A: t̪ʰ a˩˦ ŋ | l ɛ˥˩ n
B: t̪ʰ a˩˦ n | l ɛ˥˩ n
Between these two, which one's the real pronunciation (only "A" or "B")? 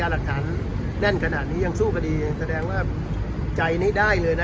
B